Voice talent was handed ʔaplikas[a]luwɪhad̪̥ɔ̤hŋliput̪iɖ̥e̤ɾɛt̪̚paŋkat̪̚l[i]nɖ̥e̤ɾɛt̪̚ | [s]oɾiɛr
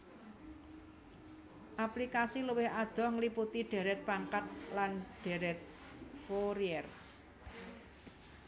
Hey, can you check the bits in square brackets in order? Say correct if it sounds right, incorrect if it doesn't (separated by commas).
incorrect, incorrect, incorrect